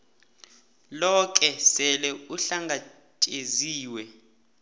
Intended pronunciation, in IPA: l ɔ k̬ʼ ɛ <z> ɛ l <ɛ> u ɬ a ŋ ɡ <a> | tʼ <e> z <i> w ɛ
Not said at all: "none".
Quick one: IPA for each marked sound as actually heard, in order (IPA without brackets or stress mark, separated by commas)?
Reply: s, ɛ, a, e, iː